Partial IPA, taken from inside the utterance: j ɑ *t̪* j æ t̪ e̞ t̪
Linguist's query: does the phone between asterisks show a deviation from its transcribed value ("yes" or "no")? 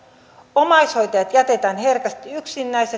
no